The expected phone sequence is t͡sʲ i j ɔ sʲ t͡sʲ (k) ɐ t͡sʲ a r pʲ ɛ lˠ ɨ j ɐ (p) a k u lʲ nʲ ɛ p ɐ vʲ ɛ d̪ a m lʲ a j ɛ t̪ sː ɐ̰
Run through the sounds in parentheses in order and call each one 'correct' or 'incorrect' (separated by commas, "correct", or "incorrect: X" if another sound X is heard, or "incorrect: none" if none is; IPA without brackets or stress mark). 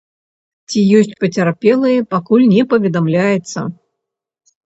incorrect: p, correct